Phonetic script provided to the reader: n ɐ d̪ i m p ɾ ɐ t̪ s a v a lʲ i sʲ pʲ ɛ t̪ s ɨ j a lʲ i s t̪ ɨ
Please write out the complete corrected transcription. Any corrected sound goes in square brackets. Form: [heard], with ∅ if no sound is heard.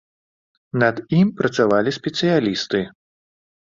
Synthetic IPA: n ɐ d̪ i m p ɾ ɐ t̪ s a v a lʲ i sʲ pʲ ɛ t̪ s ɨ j a lʲ i s t̪ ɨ